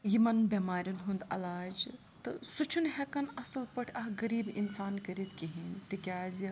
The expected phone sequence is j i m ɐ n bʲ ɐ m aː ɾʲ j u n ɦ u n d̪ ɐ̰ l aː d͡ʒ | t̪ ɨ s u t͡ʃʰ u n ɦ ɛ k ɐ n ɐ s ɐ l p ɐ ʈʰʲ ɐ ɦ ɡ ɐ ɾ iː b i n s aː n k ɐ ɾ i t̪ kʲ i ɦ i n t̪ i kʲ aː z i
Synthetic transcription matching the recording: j i m ɐ n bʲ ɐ m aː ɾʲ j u n ɦ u n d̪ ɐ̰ l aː d͡ʒ | t̪ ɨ s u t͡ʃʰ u n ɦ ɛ k ɐ n ɐ s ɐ l p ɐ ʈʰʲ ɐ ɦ ɡ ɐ ɾ iː b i n s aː n k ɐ ɾ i t̪ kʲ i ɦ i n t̪ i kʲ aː z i

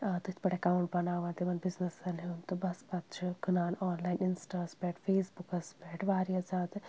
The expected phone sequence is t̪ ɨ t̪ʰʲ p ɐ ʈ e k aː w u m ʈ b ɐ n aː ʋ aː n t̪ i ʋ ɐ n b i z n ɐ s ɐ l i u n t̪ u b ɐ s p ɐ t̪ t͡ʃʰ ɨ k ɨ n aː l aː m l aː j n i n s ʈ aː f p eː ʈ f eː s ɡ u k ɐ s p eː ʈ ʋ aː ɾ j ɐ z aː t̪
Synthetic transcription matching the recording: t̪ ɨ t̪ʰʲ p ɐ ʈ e k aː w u ɳ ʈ b ɐ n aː ʋ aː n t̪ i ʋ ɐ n b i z n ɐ s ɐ l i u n t̪ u b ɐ s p ɐ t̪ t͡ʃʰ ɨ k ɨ n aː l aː n l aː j n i n s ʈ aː s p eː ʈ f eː s b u k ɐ s p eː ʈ ʋ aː ɾ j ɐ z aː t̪

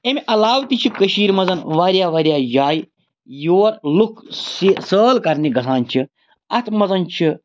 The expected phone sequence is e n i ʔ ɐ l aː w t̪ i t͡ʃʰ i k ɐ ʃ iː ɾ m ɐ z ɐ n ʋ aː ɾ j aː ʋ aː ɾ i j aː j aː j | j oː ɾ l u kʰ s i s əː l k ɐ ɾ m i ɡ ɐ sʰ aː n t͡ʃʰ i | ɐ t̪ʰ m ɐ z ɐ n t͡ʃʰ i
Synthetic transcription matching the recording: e m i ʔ ɐ l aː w t̪ i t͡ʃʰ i k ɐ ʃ iː ɾ m ɐ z ɐ n ʋ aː ɾ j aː ʋ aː ɾ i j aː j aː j | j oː ɾ l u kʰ s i s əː l k ɐ ɾ n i ɡ ɐ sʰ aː n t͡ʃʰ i | ɐ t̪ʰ m ɐ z ɐ n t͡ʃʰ i

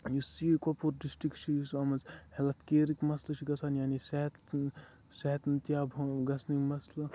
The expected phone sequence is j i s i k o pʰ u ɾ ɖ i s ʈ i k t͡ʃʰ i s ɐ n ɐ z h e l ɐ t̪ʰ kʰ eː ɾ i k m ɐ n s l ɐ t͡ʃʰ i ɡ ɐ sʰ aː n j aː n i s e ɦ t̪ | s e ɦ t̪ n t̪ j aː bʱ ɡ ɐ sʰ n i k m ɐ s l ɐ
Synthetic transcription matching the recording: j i s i k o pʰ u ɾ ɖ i s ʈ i k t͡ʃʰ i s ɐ m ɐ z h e l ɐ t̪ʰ k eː ɾ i k m ɐ s l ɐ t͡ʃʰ i ɡ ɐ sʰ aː n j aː n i s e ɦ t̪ | s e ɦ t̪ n t̪ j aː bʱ ɡ ɐ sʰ n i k m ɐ s l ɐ

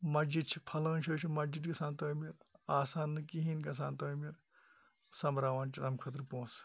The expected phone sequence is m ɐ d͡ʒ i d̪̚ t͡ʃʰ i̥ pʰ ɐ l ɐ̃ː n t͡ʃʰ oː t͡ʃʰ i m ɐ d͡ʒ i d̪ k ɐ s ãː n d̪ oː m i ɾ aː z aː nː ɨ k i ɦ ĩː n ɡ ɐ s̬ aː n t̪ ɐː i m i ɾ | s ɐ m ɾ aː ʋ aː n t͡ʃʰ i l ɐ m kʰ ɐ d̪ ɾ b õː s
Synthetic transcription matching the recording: m ɐ d͡ʒ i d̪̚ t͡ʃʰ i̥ pʰ ɐ l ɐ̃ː n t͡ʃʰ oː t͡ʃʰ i m ɐ d͡ʒ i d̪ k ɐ s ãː n t̪ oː m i ɾ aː s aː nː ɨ k i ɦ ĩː n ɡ ɐ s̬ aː n t̪ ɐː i m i ɾ | s ɐ m ɾ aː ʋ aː n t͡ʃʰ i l ɐ m kʰ ɐ t̪ ɾ p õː s

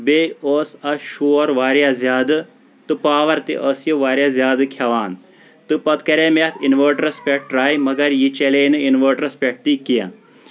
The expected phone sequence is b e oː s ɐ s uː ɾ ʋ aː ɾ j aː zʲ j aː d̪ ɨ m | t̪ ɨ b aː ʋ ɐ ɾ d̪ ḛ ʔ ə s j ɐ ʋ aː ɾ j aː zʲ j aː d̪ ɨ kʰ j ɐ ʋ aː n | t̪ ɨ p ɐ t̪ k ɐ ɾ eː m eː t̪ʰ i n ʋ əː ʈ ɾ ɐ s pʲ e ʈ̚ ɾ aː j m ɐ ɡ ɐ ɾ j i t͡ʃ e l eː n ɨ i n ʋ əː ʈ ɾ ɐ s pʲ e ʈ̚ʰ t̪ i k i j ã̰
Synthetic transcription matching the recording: b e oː s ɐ ʃ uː ɾ ʋ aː ɾ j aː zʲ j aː d̪ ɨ | t̪ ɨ p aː ʋ ɐ ɾ t̪ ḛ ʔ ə s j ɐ ʋ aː ɾ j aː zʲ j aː d̪ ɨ kʰ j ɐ ʋ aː n | t̪ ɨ p ɐ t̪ k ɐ ɾ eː m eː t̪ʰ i n ʋ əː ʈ ɾ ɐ s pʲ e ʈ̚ ɾ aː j m ɐ ɡ ɐ ɾ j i t͡ʃ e l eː n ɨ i n ʋ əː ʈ ɾ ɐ s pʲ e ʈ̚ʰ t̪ i k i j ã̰

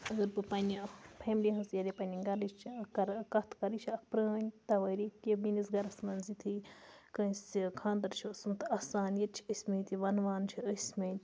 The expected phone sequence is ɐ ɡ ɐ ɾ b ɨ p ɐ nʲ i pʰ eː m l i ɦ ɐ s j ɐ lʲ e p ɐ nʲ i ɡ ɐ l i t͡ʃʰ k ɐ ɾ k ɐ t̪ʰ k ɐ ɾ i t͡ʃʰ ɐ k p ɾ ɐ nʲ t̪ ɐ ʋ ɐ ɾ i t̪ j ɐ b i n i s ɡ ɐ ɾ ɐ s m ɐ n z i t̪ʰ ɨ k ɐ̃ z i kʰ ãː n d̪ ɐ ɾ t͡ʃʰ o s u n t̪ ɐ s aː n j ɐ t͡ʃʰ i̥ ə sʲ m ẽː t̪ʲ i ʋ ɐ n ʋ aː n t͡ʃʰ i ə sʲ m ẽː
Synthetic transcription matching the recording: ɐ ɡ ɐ ɾ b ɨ p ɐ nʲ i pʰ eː m l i ɦ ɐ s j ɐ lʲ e p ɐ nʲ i ɡ ɐ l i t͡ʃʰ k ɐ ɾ k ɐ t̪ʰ k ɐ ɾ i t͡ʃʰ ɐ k p ɾ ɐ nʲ t̪ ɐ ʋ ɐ ɾ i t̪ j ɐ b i n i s ɡ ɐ ɾ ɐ s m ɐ n z i t̪ʰ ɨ k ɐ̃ s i kʰ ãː n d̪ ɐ ɾ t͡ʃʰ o s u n t̪ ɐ s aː n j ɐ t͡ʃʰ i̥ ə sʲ m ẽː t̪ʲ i ʋ ɐ n ʋ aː n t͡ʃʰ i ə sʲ m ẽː

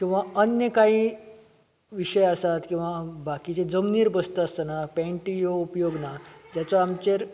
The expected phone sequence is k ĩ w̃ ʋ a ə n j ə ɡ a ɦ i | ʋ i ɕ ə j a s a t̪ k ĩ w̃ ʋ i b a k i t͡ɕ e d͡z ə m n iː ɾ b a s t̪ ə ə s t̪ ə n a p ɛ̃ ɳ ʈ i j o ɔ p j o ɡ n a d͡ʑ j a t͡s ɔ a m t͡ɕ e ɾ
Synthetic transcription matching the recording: k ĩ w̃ ʋ a ə n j ə k a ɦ i | ʋ i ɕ ə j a s a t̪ k ĩ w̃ ʋ a b a k i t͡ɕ e d͡z ə m n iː ɾ b ə s t̪ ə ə s t̪ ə n a p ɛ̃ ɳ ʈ i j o u p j o ɡ n a d͡ʑ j a t͡s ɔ a m t͡ɕ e ɾ

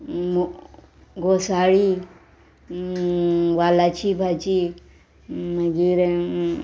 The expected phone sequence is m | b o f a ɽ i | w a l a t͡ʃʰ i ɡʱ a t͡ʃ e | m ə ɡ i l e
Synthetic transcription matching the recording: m | ɡ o s a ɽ i | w a l a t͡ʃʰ i bʱ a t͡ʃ i | m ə ɡ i ɾ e

